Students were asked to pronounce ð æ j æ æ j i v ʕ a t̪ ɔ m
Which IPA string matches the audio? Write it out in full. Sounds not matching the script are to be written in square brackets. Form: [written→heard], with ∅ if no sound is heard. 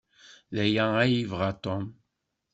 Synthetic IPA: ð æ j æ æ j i v [ʕ→ʁ] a t̪ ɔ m